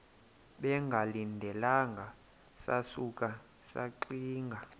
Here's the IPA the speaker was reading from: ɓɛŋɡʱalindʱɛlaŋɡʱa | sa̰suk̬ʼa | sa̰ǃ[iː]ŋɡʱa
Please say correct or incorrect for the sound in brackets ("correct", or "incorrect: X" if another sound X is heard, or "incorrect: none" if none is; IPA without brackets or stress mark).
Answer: correct